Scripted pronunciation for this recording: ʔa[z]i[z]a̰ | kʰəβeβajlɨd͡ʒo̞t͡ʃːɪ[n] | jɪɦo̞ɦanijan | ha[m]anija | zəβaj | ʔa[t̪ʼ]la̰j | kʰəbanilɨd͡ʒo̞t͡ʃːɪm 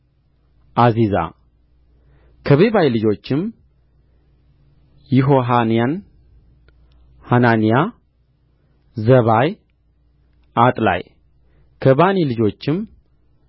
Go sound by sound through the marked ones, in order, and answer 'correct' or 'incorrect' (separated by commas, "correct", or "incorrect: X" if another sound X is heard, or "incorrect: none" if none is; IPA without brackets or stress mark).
correct, correct, incorrect: m, incorrect: n, correct